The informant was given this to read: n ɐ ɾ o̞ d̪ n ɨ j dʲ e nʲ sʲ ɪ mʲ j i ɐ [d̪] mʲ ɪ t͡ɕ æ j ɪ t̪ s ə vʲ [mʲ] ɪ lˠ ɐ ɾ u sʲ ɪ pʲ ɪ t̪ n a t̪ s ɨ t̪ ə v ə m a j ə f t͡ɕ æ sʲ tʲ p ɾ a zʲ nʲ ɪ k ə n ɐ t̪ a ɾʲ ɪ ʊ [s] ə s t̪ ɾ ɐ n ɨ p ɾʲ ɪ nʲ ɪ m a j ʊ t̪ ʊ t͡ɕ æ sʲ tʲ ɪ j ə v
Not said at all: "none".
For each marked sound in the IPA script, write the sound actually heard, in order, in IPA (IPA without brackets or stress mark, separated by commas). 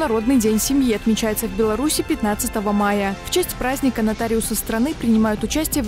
t̪, bʲ, s